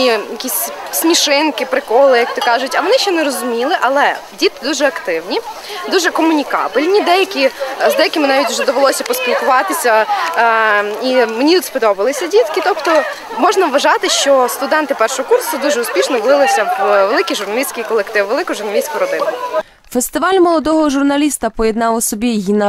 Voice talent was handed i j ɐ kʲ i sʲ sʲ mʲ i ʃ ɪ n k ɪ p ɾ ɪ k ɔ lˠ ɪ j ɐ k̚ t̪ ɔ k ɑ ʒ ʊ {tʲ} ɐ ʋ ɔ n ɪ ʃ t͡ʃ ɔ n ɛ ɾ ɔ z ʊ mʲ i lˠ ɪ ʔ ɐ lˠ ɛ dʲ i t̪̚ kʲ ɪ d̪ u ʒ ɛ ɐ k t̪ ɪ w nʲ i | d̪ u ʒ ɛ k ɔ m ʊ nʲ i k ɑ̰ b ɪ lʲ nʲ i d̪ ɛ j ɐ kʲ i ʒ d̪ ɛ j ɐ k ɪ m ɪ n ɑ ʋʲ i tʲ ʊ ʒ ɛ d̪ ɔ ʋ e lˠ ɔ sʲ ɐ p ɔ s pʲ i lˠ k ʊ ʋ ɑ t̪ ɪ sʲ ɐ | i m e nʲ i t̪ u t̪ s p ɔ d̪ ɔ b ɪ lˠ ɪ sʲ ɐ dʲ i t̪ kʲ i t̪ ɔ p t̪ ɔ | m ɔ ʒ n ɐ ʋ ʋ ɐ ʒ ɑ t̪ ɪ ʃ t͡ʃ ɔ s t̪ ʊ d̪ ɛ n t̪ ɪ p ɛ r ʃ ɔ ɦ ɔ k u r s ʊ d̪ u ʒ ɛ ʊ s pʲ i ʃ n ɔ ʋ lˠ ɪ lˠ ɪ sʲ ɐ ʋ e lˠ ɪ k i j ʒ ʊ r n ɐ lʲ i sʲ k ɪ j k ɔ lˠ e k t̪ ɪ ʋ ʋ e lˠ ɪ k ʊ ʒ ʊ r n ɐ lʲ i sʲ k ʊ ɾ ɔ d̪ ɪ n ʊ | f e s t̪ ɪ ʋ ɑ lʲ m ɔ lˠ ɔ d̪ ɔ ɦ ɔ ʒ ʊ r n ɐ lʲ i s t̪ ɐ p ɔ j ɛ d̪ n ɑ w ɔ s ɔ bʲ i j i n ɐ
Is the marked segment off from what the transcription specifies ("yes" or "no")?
no